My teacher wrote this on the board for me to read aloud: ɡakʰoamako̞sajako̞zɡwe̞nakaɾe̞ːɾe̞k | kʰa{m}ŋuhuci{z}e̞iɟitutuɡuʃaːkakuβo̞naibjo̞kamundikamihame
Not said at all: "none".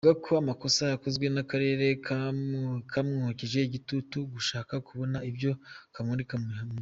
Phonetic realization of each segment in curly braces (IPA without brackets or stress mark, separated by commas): m, ʒ